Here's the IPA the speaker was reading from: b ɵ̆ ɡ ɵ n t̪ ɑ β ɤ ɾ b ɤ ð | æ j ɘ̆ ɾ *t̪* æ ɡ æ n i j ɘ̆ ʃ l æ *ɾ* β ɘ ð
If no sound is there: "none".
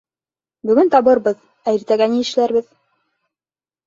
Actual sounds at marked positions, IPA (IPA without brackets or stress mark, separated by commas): t̪, ɾ